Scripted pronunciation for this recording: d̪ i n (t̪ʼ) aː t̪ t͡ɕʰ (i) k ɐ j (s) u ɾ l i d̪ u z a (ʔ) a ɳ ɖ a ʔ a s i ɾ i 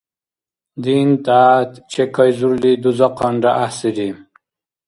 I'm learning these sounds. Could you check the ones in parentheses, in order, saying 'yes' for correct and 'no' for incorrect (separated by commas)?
no, no, no, no